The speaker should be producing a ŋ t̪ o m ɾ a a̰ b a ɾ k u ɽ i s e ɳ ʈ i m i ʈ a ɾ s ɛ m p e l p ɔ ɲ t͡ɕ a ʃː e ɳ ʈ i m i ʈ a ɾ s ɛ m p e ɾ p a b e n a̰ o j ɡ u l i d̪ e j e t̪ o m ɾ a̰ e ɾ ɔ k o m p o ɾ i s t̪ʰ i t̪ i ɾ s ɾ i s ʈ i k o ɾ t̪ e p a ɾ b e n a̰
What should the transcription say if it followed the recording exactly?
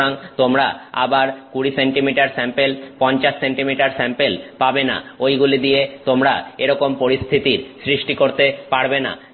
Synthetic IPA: a ŋ t̪ o m ɾ a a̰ b a ɾ k u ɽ i s e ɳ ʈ i m i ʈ a ɾ s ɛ m p e l p ɔ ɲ t͡ɕ a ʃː e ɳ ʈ i m i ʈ a ɾ s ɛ m p e l p a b e n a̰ o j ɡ u l i d̪ i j e t̪ o m ɾ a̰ e ɾ ɔ k o m p o ɾ i s t̪ʰ i t̪ i ɾ s ɾ i ʃ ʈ i k o ɾ t̪ e p a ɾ b e n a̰